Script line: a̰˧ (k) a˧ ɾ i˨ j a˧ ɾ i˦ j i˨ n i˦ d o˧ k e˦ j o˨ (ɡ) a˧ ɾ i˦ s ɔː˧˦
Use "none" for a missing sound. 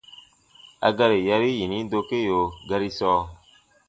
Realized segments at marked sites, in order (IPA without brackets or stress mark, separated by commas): ɡ, ɡ